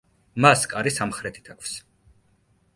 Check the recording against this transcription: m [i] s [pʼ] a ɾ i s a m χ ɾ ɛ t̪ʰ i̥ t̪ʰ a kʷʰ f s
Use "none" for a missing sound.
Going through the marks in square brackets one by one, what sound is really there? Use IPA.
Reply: a, kʼ

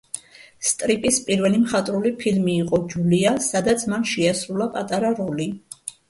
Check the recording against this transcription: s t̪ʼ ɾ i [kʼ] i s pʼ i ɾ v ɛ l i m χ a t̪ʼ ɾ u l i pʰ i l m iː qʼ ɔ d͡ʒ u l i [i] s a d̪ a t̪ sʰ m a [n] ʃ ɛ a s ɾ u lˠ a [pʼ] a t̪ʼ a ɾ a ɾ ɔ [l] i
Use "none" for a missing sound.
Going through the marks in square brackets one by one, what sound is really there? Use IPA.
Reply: pʼ, a, n, pʼ, l

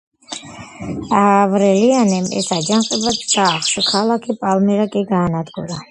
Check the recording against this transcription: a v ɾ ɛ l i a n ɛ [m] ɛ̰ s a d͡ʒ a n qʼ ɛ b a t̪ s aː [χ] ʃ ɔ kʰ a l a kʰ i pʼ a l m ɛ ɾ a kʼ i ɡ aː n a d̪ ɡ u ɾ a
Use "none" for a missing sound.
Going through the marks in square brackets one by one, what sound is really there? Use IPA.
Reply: m, χ

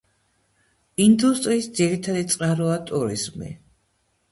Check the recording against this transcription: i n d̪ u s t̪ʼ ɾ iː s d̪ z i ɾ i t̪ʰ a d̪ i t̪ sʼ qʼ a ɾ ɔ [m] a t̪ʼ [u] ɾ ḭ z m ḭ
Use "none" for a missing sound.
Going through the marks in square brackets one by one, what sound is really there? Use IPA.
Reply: none, u

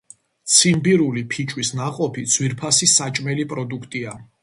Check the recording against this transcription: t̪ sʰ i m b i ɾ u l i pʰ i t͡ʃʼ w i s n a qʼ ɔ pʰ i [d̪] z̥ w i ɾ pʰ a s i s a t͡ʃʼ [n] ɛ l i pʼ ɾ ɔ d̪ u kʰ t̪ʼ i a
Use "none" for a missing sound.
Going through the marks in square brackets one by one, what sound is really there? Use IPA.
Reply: d̪, m

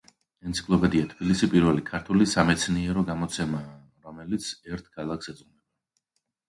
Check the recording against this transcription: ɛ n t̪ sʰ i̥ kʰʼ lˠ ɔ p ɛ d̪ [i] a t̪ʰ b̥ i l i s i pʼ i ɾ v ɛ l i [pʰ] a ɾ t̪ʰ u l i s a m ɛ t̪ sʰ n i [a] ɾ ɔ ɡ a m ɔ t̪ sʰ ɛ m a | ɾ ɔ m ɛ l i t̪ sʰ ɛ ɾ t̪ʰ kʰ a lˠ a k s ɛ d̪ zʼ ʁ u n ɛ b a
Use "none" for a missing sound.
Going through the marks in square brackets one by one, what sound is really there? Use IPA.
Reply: i, kʰ, ɛ

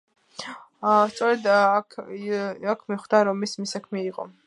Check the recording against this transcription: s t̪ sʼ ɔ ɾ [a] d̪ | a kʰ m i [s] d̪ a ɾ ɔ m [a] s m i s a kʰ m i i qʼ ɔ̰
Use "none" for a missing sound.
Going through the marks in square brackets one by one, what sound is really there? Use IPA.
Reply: ɛ, χ, i

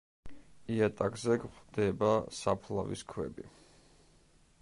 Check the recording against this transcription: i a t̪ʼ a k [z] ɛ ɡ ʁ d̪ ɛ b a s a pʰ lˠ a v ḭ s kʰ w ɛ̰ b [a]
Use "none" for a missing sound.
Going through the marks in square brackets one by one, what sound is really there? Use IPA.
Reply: z, i

